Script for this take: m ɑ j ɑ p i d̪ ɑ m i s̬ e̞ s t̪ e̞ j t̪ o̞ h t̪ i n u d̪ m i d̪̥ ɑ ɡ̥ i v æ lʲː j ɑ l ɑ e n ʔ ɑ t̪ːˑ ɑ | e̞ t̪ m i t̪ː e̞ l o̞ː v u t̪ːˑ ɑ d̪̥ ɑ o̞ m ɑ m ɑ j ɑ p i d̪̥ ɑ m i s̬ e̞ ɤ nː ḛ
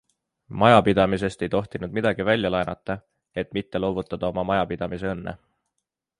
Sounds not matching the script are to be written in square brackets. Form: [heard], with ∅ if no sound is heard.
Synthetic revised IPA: m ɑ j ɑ p i d̪ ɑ m i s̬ e̞ s t̪ e̞ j t̪ o̞ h t̪ i n u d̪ m i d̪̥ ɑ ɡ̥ i v æ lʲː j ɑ l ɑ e n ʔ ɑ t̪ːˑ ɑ | e̞ t̪ m i t̪ː e̞ l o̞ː v u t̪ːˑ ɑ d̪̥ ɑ o̞ m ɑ m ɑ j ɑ p i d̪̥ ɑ m i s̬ e̞ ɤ nː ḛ